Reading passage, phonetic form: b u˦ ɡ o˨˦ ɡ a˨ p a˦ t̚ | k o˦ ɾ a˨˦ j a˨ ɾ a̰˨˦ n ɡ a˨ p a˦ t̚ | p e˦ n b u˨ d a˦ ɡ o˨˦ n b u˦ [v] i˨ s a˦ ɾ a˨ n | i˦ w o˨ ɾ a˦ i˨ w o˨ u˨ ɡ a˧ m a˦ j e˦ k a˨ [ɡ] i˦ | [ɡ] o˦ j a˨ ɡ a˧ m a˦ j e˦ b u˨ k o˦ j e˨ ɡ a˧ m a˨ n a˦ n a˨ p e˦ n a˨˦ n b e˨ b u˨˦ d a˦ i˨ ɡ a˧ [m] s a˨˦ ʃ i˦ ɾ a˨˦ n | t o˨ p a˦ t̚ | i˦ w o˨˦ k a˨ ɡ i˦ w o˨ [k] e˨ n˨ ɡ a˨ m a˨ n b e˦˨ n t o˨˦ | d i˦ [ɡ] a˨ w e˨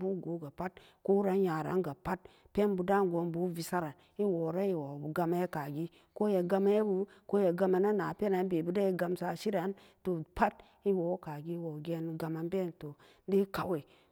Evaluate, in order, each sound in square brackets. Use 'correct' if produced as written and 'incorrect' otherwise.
correct, correct, incorrect, correct, incorrect, incorrect

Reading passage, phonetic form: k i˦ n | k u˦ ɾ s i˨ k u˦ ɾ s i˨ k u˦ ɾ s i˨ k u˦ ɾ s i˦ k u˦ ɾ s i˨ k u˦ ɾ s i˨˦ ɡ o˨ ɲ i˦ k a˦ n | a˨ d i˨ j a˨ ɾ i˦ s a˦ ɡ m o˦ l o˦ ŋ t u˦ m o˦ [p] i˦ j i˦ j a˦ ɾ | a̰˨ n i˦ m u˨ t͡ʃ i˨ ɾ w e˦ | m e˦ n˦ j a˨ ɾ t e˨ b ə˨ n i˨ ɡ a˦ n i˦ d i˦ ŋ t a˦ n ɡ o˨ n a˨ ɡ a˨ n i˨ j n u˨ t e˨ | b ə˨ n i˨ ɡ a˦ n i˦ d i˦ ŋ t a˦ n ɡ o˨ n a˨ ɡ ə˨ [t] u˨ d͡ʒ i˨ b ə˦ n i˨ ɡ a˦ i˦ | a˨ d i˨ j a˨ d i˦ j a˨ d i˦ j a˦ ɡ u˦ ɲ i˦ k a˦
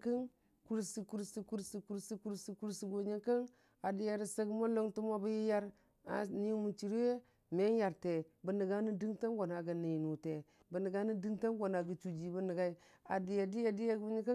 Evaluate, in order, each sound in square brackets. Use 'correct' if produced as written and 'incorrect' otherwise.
incorrect, incorrect

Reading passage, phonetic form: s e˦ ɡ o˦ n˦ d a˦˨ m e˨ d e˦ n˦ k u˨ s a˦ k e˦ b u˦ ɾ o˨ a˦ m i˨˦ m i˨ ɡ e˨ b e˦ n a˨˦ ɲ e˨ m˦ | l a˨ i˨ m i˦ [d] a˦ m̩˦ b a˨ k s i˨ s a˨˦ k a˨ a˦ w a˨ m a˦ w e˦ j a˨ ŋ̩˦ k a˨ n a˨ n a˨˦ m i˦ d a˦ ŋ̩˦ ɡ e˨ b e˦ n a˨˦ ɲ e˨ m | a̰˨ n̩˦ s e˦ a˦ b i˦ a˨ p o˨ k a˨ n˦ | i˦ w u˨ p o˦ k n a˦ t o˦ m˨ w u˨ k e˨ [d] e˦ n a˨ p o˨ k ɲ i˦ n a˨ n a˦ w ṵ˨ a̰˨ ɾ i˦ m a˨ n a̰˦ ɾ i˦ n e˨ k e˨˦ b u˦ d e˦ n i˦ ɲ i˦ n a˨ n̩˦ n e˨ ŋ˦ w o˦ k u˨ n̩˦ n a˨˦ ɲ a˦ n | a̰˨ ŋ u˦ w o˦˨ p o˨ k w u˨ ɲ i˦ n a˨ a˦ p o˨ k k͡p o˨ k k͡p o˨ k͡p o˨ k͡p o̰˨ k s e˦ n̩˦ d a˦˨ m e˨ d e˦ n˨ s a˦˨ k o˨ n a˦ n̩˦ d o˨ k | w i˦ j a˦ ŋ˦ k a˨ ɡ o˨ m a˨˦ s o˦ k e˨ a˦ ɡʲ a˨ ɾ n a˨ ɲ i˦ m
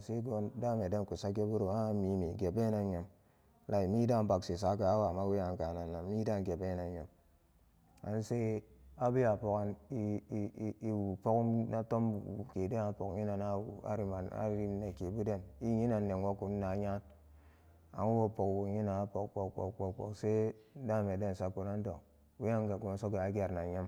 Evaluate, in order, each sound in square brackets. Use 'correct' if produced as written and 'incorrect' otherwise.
correct, correct

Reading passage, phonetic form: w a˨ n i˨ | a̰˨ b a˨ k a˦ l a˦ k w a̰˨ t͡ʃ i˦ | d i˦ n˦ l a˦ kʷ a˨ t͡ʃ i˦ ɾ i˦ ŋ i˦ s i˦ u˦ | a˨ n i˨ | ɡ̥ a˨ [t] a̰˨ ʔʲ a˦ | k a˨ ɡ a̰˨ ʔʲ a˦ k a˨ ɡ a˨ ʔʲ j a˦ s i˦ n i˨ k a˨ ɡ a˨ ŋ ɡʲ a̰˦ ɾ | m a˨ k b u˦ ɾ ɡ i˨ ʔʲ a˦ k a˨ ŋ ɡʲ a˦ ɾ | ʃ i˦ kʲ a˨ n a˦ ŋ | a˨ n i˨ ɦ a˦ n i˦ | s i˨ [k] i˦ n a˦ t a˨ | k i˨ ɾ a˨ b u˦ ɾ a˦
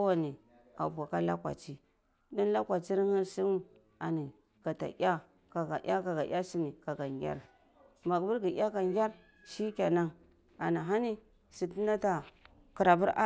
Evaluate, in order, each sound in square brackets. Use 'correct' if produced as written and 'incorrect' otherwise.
correct, incorrect

